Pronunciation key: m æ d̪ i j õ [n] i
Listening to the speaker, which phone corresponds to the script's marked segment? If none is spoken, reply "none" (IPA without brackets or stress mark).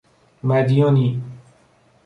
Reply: n